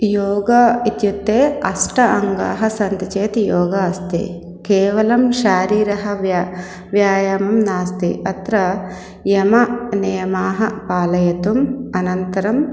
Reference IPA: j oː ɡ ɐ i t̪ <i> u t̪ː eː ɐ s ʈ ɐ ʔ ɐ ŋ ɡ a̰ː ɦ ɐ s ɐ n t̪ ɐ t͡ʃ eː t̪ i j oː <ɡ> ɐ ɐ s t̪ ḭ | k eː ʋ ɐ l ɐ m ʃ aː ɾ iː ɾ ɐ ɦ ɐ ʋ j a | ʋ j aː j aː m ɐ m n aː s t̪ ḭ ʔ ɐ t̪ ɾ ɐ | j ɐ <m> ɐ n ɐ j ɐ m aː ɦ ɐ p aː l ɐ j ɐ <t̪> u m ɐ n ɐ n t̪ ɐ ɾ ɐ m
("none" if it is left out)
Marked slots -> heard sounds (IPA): j, ɡ, m, t̪

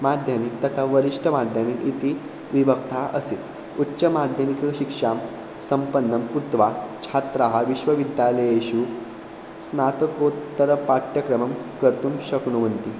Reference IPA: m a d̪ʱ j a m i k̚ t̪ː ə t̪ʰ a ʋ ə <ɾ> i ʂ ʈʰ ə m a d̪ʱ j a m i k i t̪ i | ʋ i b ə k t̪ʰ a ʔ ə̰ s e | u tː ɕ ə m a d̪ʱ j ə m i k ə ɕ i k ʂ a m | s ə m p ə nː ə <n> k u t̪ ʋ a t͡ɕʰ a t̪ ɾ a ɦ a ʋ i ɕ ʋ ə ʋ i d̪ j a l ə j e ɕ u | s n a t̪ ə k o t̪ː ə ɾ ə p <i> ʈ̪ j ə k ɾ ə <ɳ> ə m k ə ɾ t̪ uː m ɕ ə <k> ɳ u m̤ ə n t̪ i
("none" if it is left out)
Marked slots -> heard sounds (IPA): ɾ, m, a, m, k

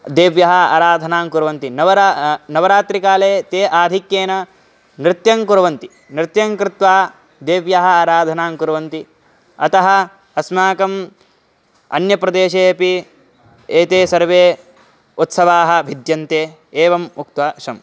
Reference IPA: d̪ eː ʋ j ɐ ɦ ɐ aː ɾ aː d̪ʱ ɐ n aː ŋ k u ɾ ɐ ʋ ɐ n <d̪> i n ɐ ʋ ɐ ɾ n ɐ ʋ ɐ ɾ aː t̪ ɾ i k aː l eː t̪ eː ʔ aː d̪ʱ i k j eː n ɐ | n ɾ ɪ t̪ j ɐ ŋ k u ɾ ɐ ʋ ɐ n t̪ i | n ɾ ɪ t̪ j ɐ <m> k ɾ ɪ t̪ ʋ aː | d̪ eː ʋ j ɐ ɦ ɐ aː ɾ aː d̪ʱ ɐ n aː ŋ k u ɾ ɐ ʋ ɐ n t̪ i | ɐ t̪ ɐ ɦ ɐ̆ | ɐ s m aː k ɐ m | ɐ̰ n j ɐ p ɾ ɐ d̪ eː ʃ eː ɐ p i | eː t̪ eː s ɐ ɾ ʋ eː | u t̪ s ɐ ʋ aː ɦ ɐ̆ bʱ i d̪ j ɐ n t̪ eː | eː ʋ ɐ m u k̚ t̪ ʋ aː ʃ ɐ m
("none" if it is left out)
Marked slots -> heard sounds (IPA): t̪, ŋ

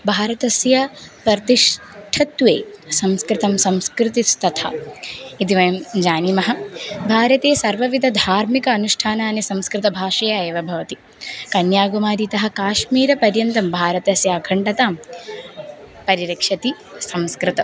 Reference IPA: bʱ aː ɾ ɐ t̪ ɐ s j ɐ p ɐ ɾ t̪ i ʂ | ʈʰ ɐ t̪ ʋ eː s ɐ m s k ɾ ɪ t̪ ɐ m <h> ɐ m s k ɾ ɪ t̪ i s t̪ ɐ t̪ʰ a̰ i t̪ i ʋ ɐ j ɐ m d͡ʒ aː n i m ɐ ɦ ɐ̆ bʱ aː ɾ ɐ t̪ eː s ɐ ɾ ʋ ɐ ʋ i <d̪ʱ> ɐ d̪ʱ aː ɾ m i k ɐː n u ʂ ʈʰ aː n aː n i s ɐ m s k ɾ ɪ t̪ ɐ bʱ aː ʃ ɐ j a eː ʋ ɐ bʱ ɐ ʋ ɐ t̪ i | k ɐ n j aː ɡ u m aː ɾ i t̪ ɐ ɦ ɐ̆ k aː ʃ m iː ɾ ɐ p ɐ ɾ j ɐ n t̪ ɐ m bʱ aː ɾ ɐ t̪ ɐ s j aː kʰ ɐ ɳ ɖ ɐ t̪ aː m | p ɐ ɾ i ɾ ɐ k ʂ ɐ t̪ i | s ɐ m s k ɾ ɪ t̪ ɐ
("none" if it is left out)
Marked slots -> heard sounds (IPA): s, d̪ʱ

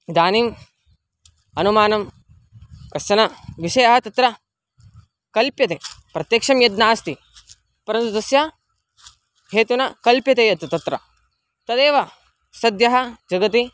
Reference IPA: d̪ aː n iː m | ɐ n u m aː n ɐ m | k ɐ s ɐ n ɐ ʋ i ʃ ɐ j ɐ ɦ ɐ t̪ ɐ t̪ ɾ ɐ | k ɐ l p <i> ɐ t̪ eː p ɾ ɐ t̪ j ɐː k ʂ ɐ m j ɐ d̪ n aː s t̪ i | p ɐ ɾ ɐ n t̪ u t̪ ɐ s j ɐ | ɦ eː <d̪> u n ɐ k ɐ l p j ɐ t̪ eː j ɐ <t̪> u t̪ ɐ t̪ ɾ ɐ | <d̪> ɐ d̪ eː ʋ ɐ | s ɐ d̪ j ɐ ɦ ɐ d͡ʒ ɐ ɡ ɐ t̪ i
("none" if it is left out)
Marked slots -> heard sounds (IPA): j, t̪, t̪, t̪

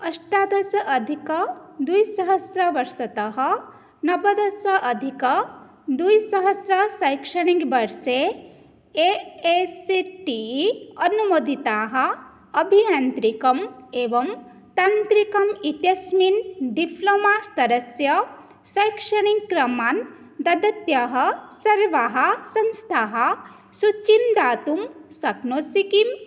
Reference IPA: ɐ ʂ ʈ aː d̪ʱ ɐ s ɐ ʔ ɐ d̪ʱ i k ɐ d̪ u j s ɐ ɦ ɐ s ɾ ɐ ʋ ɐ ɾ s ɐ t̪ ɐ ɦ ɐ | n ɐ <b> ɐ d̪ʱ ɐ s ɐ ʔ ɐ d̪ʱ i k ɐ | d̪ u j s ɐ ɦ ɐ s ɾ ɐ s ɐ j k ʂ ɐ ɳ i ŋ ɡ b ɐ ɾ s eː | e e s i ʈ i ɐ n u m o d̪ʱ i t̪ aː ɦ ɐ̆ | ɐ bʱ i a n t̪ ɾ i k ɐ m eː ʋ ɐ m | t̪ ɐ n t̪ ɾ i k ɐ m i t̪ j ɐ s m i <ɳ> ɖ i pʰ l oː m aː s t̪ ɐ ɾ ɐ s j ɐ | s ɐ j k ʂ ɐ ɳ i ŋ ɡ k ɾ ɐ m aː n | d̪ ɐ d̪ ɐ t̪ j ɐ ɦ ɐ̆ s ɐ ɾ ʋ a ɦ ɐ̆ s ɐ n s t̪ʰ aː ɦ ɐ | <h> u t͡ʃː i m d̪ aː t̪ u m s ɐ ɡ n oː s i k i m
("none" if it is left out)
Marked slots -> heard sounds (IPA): b, n, s

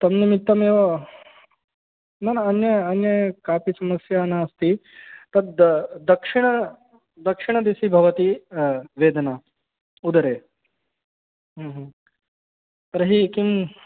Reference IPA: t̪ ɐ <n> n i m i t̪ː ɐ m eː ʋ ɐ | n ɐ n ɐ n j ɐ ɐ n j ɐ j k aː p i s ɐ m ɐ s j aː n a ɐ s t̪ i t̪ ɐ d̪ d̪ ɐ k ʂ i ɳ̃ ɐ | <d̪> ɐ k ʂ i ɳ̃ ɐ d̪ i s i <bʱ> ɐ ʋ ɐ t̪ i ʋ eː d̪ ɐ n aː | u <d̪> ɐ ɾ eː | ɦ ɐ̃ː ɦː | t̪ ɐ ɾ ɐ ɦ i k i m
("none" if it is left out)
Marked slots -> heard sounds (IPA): m, d̪, bʱ, d̪

